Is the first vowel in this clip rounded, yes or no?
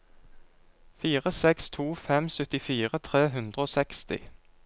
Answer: no